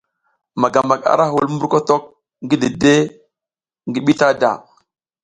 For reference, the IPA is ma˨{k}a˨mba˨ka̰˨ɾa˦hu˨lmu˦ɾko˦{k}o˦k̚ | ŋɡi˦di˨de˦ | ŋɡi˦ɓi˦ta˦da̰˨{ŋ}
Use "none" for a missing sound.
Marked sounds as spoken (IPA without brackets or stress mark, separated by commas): ɡ, t, none